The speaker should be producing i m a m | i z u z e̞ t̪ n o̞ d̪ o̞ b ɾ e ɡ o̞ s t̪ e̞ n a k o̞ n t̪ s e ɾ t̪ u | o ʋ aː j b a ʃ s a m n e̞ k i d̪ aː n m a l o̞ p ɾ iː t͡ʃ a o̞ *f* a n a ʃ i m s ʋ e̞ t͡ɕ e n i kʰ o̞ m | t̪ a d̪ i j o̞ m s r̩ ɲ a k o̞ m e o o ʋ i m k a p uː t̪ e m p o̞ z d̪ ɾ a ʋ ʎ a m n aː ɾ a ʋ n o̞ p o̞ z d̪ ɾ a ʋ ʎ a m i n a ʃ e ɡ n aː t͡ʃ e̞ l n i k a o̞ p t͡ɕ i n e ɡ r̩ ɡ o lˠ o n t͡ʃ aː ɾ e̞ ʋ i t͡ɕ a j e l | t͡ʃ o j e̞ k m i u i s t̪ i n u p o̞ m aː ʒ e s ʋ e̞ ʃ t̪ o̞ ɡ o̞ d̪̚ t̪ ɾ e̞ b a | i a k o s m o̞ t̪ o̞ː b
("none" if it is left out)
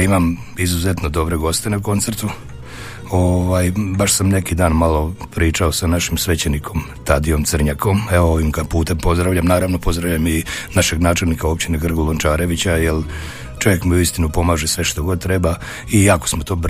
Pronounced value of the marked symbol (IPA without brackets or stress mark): s